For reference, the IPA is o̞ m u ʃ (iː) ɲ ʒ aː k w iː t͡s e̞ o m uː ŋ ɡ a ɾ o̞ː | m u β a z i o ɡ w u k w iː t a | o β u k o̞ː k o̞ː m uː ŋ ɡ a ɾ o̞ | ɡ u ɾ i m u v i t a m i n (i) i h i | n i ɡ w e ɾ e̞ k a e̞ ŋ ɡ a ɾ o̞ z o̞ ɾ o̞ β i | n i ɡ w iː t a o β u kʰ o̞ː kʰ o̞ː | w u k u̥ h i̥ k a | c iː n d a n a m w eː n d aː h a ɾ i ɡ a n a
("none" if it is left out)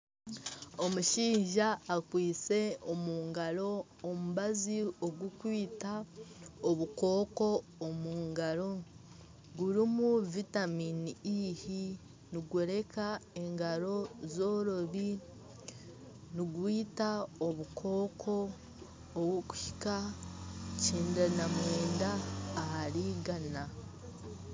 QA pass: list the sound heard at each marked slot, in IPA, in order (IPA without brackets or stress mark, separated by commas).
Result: iː, i